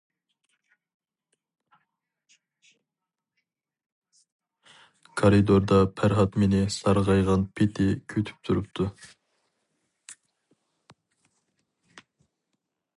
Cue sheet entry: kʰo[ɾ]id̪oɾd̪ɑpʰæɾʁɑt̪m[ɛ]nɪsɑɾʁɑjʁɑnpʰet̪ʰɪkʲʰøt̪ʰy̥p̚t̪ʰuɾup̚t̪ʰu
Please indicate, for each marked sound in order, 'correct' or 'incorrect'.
correct, incorrect

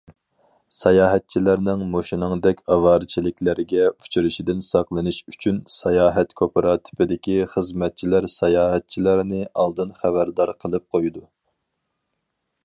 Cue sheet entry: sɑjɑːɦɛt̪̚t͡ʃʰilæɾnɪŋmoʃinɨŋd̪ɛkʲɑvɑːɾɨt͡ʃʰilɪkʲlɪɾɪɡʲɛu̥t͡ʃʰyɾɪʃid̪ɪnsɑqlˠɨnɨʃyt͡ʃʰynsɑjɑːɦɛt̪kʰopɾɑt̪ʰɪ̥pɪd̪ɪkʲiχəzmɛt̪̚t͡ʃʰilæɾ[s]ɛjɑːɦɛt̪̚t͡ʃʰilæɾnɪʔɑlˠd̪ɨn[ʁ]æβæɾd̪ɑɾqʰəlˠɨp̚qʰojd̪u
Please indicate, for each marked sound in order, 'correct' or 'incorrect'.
correct, incorrect

